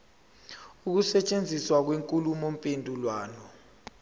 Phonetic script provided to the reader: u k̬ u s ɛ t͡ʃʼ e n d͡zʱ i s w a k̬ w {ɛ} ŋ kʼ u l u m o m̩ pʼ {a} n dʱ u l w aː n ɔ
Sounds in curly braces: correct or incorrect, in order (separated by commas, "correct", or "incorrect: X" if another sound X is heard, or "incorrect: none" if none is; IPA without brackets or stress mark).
incorrect: e, incorrect: e